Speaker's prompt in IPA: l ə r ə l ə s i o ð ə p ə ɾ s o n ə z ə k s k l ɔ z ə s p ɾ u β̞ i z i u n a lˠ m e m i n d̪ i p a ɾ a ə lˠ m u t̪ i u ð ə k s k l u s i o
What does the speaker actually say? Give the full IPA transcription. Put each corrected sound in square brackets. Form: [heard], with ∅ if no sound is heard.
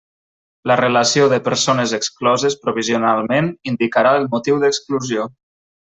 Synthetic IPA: l ə r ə l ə s i o ð ə p ə ɾ s o n ə z ə k s k l ɔ z ə s p ɾ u β̞ i z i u n a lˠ m e [n] i n d̪ i [k] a ɾ a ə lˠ m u t̪ i [w] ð ə k s k l u [z] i o